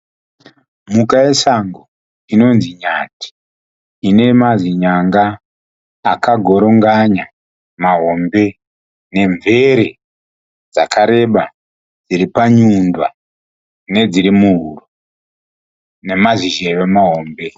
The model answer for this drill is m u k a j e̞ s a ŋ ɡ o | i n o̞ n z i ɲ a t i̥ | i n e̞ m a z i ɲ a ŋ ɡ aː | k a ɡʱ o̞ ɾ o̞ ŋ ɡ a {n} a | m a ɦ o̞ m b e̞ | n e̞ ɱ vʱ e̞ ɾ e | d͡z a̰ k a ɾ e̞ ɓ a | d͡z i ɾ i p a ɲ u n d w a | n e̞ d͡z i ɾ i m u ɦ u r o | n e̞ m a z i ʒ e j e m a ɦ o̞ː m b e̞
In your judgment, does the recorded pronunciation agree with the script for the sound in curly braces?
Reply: no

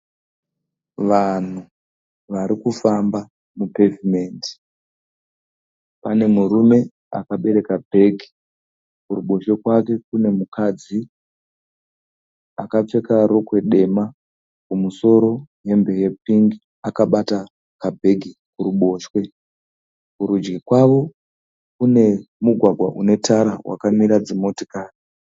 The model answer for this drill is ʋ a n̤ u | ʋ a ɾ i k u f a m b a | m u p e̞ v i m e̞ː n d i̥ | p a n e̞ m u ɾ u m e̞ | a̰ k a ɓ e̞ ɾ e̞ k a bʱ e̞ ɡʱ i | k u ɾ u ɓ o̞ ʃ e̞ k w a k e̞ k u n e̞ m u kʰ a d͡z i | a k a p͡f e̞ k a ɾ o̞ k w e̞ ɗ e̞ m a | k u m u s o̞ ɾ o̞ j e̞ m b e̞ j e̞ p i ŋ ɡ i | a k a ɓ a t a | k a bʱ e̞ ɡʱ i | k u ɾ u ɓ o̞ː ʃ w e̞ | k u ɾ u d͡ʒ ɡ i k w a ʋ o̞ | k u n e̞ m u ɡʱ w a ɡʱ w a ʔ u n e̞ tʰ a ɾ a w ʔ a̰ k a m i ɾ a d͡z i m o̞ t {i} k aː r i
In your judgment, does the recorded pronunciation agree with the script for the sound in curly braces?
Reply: yes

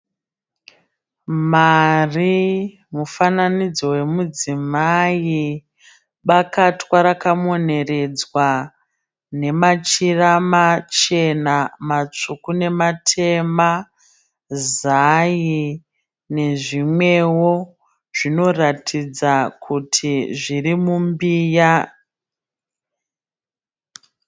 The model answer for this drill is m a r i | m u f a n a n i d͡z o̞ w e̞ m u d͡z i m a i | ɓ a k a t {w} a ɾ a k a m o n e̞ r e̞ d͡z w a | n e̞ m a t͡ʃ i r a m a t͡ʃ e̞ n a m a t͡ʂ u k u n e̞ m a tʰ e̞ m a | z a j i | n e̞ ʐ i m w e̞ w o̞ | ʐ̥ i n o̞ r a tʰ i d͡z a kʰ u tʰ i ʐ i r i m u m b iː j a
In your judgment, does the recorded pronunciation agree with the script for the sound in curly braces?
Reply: yes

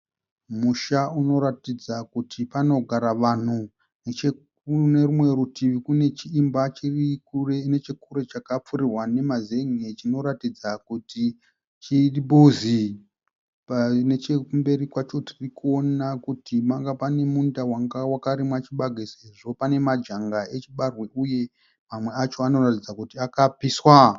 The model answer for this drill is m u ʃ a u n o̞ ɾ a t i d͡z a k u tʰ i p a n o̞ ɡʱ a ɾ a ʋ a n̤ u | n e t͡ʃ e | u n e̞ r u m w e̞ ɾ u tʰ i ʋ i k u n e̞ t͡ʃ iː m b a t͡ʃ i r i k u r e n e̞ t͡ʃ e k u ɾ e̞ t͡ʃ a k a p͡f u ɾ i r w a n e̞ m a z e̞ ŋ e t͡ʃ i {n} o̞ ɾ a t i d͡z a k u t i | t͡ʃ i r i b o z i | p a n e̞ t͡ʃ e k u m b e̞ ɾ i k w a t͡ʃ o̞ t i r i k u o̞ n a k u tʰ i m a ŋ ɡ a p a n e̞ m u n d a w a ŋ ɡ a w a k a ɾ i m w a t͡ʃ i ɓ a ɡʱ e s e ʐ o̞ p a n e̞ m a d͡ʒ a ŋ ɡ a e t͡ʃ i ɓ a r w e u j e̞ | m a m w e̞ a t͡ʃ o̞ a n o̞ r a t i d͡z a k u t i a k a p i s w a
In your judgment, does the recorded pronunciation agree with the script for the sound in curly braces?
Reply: yes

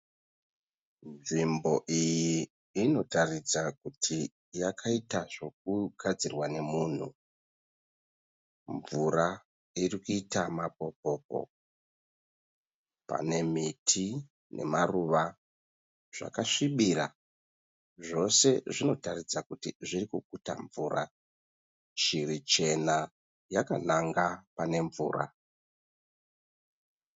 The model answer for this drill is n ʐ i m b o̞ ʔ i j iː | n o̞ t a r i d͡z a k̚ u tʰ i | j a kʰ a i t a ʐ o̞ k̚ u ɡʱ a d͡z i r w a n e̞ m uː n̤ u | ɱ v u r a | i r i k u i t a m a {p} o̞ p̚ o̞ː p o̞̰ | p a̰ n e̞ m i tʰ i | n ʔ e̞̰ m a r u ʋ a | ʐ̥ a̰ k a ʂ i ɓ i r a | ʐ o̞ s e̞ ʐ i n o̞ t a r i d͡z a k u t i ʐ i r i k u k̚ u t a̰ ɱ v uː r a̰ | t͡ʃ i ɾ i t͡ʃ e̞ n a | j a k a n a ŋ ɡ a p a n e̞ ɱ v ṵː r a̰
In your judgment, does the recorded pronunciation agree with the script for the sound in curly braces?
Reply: yes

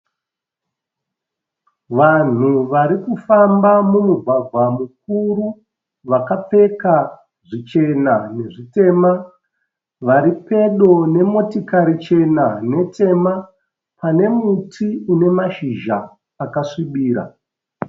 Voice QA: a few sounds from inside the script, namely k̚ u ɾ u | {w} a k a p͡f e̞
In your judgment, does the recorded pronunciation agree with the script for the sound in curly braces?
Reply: no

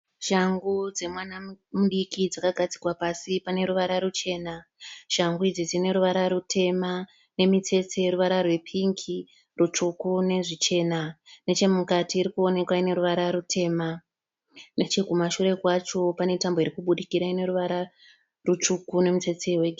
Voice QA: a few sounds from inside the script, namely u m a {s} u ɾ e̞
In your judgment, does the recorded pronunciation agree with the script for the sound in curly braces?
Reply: no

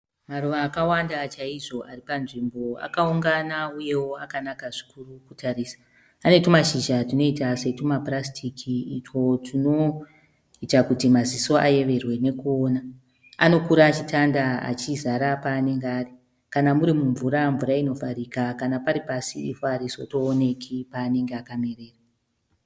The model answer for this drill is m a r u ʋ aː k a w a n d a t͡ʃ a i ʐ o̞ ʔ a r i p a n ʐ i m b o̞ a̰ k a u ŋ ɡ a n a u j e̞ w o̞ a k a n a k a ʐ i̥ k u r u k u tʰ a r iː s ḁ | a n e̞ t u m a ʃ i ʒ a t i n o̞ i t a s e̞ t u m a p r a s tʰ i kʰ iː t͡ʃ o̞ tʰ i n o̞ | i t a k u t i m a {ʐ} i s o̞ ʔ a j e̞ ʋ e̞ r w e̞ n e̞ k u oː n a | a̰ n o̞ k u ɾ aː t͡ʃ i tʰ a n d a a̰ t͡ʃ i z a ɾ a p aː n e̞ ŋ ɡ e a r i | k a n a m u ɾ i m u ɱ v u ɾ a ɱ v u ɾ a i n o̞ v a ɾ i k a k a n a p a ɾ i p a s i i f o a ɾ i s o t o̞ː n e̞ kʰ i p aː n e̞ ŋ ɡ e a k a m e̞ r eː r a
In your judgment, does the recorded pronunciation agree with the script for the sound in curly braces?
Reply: no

